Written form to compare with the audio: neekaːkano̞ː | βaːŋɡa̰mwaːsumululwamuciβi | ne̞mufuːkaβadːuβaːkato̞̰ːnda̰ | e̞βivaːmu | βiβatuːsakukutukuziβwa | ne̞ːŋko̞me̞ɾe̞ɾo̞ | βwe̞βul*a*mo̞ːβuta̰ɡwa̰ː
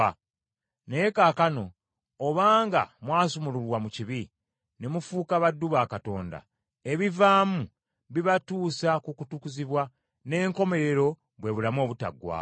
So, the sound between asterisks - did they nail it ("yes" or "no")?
yes